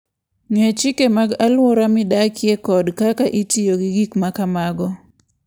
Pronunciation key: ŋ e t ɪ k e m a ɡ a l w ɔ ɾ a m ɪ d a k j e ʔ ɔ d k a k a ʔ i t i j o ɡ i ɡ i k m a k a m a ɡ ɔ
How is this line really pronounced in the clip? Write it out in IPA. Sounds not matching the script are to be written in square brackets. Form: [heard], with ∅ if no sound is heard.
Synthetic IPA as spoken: ŋ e [t͡ʃ] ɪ k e m a ɡ a l w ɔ ɾ a m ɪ d a k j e [k] ɔ d k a k a ʔ i t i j o ɡ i ɡ i k m a k a m a ɡ ɔ